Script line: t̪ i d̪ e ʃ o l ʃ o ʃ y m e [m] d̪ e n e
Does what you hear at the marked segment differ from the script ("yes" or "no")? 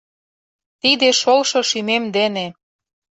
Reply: no